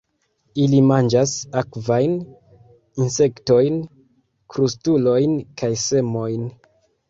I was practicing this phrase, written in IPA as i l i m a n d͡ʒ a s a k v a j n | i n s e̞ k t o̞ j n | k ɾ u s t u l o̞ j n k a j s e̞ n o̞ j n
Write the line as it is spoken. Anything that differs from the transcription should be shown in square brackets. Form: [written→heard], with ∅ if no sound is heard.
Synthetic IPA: i l i m a n d͡ʒ a s a k v a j n | i n s e̞ k t o̞ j n | k ɾ u s t u l o̞ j n k a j s e̞ [n→m] o̞ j n